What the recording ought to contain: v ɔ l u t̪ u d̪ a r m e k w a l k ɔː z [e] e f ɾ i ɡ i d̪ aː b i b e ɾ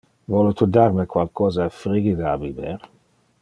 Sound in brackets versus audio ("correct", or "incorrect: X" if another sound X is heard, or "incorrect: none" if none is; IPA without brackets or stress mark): incorrect: a